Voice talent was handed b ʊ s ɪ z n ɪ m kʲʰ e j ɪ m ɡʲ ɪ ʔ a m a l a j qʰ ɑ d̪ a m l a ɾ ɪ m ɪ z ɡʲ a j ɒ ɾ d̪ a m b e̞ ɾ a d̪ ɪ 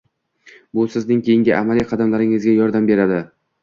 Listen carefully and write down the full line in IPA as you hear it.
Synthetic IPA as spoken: b ʊ s ɪ z n ɪ ŋ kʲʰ e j ɪ ŋ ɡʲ ɪ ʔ a m a l i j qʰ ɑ d̪ a m l a ɾ ɪ ŋ ɪ z ɡʲ a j ɒ ɾ d̪ a m b e̞ ɾ a d̪ ɪ